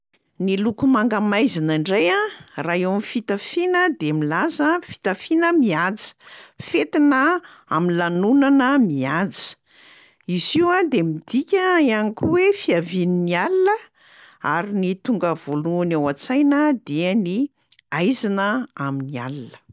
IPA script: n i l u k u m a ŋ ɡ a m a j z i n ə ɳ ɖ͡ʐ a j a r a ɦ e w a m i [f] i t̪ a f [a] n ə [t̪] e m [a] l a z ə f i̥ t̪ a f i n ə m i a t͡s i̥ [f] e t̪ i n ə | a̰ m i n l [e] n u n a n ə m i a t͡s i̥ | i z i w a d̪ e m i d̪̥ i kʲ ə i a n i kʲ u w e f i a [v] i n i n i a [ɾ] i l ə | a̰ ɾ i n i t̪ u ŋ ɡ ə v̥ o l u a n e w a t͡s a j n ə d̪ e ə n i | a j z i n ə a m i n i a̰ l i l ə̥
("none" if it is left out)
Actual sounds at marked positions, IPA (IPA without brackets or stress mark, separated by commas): f, i, d̪, i, f, a, v, l